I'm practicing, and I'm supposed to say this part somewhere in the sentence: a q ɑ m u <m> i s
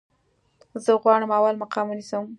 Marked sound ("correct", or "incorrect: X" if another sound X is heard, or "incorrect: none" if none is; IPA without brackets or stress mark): incorrect: n